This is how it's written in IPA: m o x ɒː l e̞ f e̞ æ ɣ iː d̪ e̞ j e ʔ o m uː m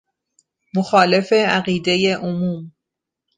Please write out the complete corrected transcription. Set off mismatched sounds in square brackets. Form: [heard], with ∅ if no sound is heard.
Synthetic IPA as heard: m o x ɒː l e̞ f e̞ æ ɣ iː d̪ e̞ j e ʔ o m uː m